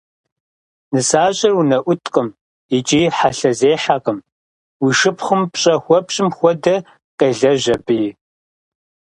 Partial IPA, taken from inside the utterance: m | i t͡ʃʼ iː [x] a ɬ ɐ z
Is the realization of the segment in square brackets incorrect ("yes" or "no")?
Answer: yes